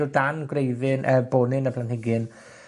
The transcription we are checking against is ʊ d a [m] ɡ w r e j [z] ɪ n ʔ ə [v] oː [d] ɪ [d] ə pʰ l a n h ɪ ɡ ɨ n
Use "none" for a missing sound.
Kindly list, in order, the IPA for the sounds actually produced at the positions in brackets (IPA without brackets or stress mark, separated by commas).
n, ð, b, n, n